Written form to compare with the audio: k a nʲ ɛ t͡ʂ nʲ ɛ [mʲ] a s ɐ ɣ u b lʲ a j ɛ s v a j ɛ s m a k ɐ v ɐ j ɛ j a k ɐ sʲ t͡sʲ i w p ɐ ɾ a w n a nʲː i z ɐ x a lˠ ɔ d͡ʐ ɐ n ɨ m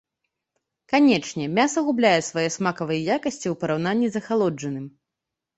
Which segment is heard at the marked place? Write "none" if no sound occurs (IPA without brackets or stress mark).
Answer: mʲ